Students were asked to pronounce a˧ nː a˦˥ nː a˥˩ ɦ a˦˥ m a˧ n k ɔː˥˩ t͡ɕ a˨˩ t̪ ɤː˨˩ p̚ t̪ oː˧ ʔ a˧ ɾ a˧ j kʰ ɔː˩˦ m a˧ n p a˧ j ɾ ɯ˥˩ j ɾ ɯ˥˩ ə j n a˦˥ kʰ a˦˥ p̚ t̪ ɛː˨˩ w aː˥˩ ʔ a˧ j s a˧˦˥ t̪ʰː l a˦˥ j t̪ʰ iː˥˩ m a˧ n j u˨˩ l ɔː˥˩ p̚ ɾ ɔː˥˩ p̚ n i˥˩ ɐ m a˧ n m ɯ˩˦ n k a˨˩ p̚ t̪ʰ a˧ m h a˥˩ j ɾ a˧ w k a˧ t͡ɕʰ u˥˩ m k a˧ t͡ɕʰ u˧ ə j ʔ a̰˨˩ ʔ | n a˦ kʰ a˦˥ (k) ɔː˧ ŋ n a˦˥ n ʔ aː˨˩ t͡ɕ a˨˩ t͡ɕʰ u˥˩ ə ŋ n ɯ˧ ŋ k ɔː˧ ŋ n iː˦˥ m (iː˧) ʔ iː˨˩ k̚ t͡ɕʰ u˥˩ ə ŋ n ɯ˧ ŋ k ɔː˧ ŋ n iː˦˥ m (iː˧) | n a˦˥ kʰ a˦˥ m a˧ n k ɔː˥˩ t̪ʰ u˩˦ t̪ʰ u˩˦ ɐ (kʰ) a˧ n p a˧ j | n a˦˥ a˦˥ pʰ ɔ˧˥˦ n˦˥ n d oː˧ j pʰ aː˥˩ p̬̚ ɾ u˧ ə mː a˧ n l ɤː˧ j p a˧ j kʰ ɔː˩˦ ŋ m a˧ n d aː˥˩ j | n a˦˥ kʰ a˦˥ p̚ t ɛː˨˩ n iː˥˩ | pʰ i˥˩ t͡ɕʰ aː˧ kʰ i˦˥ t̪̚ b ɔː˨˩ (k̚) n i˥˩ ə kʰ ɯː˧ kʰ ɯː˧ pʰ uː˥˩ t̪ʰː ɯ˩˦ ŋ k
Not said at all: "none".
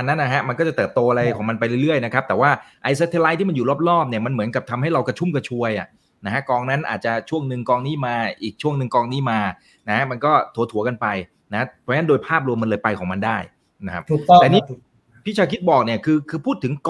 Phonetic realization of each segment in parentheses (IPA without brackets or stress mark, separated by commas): k, aː˧, aː˧, k, k̚